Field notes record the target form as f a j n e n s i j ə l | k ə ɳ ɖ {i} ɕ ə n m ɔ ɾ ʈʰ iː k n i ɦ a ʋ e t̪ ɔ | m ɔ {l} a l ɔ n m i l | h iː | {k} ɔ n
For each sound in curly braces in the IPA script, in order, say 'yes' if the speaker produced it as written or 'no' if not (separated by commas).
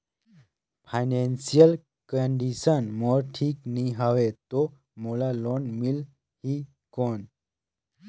yes, yes, yes